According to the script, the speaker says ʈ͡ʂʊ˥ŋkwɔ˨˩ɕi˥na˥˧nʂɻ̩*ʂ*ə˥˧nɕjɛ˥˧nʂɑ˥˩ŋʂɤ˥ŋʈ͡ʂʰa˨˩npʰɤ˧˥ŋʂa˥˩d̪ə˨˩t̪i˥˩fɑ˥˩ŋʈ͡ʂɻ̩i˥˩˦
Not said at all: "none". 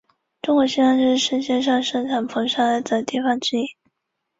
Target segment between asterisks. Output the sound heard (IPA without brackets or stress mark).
ʂ